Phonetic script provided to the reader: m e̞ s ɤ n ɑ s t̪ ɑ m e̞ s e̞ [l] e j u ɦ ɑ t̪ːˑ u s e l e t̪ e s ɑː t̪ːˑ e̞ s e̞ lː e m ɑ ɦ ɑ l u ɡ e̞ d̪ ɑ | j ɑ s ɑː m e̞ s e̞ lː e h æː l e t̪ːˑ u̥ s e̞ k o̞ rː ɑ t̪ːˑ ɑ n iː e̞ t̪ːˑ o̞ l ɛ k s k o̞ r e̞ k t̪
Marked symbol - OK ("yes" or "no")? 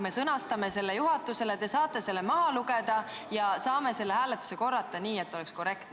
no